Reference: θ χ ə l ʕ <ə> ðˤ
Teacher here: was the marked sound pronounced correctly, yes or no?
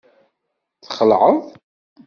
yes